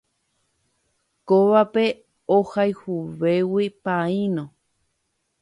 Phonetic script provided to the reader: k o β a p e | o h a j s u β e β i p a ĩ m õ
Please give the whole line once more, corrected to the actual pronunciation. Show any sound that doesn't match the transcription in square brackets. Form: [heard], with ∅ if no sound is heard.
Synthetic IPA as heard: k o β a p e | o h a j [h] u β e [w] i p a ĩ [n] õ